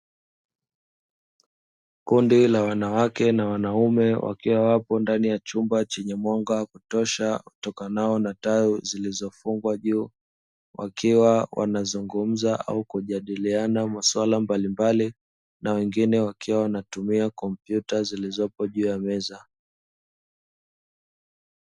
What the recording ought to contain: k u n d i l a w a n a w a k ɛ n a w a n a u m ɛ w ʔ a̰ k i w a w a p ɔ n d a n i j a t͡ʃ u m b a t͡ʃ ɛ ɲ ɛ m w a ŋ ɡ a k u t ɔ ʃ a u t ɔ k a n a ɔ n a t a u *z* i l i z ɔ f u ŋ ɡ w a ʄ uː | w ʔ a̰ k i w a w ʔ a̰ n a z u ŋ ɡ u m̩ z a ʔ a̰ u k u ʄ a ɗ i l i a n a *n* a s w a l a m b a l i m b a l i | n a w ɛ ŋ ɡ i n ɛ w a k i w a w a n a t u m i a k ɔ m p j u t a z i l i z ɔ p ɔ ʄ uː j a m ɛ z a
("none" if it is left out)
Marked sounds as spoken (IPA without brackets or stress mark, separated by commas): z, m